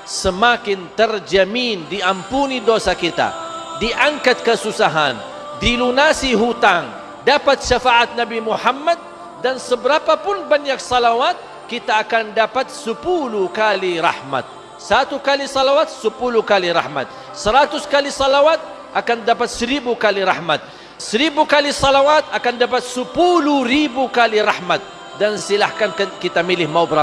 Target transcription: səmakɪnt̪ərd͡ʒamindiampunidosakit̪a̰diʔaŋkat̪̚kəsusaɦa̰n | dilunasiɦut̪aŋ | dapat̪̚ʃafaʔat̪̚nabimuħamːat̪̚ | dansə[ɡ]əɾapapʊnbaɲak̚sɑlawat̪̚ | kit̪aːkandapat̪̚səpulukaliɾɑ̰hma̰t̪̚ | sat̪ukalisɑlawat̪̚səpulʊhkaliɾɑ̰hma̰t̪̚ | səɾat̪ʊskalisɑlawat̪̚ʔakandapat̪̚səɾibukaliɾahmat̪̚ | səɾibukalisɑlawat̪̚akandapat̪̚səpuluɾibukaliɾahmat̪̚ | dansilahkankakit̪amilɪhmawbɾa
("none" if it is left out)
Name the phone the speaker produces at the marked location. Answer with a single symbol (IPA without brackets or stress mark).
b